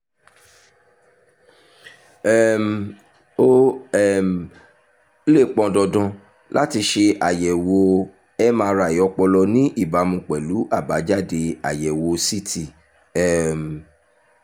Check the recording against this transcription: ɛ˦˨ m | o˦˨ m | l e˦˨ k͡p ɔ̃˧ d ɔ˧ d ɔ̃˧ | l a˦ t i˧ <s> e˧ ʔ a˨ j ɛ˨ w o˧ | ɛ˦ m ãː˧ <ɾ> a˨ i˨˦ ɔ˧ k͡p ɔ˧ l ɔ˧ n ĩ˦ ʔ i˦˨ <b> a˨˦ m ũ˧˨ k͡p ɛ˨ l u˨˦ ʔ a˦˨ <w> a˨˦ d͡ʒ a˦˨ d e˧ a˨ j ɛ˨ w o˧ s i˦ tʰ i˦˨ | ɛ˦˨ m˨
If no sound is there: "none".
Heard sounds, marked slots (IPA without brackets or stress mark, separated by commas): ʃ, ɾ, b, b